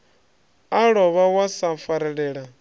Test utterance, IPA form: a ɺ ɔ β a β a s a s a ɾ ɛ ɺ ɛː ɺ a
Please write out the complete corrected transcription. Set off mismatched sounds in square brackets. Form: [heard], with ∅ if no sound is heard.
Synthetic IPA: a ɺ ɔ β a [w] a s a [f] a ɾ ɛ ɺ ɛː ɺ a